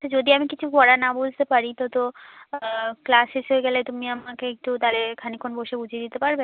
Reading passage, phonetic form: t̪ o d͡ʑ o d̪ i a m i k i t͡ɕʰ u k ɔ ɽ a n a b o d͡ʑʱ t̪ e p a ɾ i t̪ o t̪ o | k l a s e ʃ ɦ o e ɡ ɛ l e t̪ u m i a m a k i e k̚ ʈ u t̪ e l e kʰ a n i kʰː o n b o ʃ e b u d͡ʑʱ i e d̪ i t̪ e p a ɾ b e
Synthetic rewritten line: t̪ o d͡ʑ o d̪ i a m i k i t͡ɕʰ u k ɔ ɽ a n a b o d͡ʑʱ t̪ e p a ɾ i t̪ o t̪ o | k l a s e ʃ ɦ o e ɡ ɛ l e t̪ u m i a m a k e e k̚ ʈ u t̪ a l e kʰ a n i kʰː o n b o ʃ e b u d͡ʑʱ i e d̪ i t̪ e p a ɾ b e

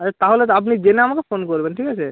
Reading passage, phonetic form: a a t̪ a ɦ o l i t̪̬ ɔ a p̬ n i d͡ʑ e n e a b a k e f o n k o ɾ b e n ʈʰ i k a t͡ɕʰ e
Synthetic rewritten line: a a t̪ a ɦ o l e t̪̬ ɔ a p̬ n i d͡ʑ e n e a m a k e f o n k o ɾ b e n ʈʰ i k a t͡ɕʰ e

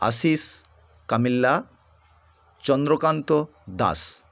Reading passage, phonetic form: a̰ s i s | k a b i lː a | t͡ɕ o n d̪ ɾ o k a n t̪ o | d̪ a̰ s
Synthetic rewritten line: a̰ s i s | k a m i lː a | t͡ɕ ɔ n d̪ ɾ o k a n t̪ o | d̪ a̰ s

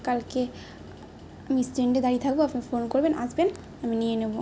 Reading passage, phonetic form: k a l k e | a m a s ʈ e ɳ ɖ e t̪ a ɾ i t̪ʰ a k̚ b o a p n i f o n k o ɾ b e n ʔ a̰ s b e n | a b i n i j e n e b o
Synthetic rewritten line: k a l k e | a m i s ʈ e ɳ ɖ e d̪ a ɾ i t̪ʰ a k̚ b o a p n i f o n k o ɾ b e n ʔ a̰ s b e n | a m i n i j e n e b o

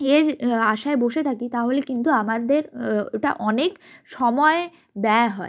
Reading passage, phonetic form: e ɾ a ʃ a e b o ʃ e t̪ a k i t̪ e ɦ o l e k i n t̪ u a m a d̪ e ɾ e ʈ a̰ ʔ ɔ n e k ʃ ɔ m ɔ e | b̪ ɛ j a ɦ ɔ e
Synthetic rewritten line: e ɾ a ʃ a e b o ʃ e t̪ʰ a k i t̪ a ɦ o l e k i n t̪ u a m a d̪ e ɾ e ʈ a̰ ʔ ɔ n e k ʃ ɔ m ɔ e | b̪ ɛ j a ɦ ɔ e

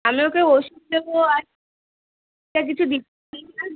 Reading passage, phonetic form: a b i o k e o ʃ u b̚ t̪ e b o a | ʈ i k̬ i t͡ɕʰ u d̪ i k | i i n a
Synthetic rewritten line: a m i o k e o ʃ u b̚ d̪ e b o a | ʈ a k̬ i t͡ɕʰ u d̪ i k | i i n a

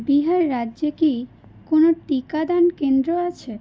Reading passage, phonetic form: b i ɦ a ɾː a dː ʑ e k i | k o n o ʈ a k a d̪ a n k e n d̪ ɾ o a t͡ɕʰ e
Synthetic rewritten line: b i ɦ a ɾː a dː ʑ e k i | k o n o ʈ i k a d̪ a n k e n d̪ ɾ o a t͡ɕʰ e

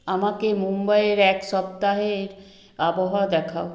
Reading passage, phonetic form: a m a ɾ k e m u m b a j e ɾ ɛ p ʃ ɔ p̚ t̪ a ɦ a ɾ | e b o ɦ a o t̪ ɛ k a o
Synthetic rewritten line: a m a k e m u m b a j e ɾ ɛ k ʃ ɔ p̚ t̪ a ɦ e ɾ | a b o ɦ a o d̪ ɛ kʰ a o

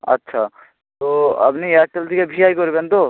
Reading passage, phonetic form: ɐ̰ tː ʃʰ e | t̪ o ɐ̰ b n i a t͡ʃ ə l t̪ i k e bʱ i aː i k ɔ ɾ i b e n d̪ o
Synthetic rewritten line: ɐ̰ tː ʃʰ a | t̪ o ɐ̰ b n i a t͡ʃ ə l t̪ i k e bʱ i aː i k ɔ ɾ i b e n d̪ o

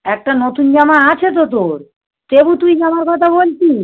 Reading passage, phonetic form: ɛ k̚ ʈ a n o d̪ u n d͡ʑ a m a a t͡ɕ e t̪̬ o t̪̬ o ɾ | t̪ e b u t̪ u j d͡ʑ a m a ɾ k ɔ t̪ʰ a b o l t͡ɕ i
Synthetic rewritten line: ɛ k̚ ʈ a n o t̪ u n d͡ʑ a m a a t͡ɕʰ e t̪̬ o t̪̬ o ɾ | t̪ e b u t̪ u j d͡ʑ a m a ɾ k ɔ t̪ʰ a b o l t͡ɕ i

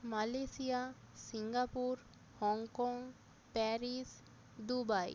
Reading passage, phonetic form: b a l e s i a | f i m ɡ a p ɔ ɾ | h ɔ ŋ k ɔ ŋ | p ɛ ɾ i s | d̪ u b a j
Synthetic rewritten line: m a l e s i a | s i ŋ ɡ a p u ɾ | h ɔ ŋ k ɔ ŋ | p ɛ ɾ i s | d̪ u b a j

